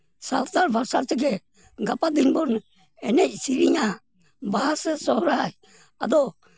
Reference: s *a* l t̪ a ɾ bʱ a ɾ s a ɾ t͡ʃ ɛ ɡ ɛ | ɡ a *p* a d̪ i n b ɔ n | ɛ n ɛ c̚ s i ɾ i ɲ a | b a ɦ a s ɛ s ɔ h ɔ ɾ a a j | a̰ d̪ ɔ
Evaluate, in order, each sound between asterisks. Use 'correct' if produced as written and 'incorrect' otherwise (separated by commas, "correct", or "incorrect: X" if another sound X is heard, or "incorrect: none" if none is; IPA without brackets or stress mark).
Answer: correct, correct